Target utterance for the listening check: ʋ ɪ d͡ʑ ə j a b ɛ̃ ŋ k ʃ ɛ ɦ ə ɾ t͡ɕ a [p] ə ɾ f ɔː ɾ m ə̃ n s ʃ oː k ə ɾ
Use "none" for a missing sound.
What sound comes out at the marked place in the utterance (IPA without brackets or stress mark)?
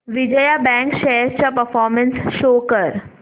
p